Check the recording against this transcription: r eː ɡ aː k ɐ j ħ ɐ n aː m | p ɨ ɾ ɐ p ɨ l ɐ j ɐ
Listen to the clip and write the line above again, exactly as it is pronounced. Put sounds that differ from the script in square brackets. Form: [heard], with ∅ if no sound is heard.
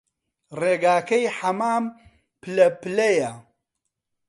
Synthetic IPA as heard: r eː ɡ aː k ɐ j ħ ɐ [m] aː m | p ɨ [l] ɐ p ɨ l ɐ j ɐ